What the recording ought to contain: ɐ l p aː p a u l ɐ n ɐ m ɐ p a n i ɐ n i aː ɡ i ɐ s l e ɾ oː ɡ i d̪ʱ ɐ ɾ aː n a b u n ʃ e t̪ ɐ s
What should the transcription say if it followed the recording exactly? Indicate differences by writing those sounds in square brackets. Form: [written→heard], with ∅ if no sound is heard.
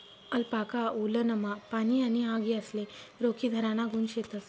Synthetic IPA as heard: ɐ l p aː [p→k] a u l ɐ n ɐ m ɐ p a n i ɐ n i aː ɡ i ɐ s l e ɾ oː [ɡ→k] i d̪ʱ ɐ ɾ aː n a [b→ɡ] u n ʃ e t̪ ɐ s